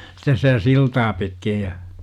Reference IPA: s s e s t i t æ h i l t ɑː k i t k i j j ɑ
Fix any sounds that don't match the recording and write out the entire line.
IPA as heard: s t e s s i t æ s i l t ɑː p i t k i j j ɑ

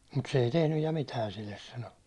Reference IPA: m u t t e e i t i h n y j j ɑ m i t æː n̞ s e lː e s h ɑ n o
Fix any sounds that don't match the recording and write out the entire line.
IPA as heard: m u t s e e i t e h n y j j ɑ m i t æː n̞ s i lː e s s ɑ n o

